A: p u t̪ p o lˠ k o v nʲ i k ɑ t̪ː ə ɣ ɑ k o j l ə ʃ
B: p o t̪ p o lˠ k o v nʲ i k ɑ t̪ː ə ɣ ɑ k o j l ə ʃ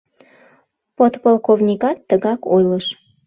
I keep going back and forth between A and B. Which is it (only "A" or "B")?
B